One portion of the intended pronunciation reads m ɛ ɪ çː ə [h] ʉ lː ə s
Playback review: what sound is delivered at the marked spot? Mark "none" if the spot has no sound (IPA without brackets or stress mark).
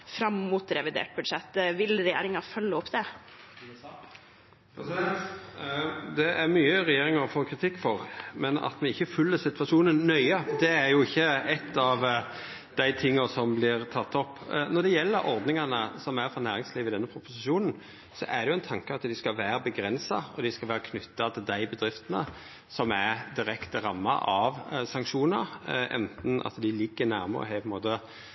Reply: f